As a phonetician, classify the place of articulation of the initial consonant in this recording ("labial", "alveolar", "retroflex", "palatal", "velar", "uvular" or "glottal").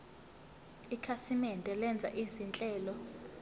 velar